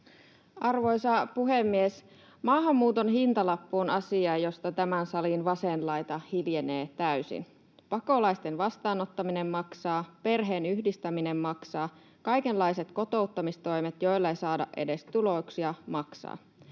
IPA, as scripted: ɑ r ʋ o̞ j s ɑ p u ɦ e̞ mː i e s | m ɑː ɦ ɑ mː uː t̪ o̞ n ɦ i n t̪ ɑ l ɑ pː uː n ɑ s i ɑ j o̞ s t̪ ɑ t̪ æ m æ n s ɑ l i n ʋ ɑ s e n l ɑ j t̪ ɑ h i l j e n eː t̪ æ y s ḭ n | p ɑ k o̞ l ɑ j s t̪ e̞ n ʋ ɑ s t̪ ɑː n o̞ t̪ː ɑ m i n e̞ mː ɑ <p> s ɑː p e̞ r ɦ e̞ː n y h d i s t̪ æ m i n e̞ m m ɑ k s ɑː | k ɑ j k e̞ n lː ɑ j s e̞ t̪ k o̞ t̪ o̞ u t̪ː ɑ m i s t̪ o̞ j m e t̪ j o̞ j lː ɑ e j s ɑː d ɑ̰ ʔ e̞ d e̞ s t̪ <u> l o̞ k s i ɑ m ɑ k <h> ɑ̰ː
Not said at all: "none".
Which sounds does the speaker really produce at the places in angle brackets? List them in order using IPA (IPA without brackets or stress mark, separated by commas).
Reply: k, u, s